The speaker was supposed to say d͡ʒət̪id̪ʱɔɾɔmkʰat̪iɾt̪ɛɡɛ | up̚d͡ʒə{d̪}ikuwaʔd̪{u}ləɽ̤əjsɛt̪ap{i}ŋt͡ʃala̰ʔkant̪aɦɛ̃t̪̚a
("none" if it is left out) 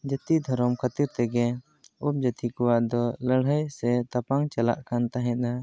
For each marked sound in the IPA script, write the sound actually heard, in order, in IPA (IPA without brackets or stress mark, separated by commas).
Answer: t̪, ɔ, a